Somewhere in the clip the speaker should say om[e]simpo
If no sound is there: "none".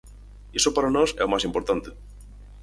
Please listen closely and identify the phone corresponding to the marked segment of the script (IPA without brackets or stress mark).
a